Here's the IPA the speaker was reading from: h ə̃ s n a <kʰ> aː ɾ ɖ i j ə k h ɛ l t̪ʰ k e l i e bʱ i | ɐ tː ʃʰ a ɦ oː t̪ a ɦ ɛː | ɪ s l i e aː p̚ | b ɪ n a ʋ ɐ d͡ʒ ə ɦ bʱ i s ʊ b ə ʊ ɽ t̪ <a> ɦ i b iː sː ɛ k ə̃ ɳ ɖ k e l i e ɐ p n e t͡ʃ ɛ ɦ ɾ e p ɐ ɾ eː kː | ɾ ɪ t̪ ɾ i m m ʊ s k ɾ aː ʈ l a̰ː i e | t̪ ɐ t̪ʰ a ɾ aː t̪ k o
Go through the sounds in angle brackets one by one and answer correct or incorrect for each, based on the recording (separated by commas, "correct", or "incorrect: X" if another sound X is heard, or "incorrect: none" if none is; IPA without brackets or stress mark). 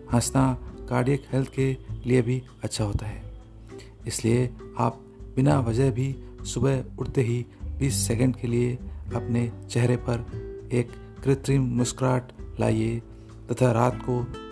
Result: incorrect: k, incorrect: e